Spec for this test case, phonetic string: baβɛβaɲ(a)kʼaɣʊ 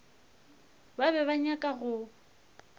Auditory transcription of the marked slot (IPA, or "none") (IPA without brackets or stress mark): a